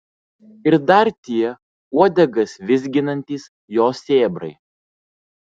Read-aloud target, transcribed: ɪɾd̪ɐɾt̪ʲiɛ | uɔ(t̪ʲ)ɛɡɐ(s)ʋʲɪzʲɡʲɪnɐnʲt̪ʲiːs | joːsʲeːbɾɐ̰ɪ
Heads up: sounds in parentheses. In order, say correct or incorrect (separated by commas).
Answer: incorrect, correct